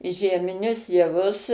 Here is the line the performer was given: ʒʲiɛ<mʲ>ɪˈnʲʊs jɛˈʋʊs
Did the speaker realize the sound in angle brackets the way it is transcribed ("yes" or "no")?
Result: yes